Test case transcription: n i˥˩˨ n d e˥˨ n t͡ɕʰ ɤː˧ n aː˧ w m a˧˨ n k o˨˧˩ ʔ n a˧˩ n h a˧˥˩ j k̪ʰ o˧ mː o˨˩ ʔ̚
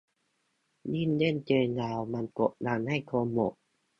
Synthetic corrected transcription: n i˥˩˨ n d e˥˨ n t͡ɕ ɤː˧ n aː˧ w m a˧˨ n k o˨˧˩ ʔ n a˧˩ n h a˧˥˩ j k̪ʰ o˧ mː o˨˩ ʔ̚